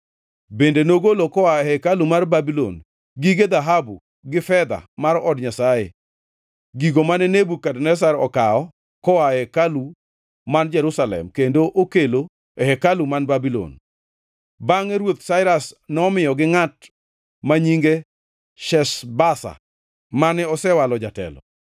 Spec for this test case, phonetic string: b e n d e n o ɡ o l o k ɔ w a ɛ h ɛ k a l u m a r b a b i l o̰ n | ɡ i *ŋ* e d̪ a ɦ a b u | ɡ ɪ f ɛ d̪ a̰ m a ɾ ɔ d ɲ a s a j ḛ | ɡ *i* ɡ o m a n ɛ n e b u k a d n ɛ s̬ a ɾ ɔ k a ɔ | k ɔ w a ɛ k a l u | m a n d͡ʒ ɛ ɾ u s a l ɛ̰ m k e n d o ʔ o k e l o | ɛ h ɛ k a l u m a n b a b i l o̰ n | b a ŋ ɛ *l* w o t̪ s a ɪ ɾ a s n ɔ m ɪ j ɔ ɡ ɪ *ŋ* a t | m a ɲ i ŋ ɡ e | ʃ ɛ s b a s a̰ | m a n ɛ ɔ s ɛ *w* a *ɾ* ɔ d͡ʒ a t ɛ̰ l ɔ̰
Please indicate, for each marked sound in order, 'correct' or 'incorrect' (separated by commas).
incorrect, correct, incorrect, correct, correct, incorrect